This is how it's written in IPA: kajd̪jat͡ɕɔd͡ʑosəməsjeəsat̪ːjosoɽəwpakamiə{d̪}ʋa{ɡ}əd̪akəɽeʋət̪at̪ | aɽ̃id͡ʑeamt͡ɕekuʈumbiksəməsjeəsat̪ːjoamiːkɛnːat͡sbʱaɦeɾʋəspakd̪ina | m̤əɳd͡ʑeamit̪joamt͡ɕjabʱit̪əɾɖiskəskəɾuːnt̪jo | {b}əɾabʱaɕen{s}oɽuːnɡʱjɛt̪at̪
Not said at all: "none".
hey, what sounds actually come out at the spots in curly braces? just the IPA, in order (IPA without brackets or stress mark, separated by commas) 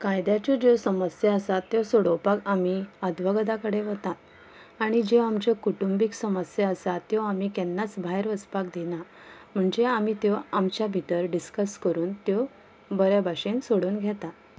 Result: d̪, ɡ, b, s